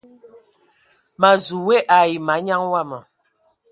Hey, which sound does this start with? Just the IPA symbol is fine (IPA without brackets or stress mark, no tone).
m